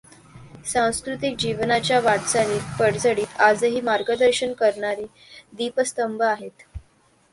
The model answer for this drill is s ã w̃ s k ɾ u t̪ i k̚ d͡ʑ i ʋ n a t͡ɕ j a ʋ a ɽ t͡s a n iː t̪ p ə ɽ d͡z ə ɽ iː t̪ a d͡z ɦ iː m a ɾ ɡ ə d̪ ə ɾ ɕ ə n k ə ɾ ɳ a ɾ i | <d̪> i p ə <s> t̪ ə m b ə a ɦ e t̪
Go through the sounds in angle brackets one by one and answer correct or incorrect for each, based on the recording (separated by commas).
correct, correct